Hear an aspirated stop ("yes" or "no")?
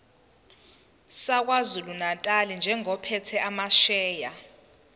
yes